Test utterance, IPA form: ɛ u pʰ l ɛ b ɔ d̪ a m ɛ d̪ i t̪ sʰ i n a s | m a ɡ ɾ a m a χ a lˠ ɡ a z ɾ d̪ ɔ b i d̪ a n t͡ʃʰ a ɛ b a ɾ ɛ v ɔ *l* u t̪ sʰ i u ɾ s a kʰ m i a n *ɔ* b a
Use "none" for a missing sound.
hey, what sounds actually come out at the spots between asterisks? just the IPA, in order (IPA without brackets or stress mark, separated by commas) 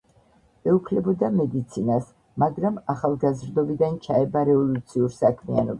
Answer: l, ɔ